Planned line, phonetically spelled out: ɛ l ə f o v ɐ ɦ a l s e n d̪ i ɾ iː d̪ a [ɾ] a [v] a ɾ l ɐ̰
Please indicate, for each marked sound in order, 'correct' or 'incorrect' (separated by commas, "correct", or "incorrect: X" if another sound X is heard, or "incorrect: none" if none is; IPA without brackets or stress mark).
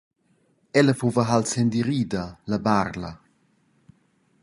incorrect: l, incorrect: b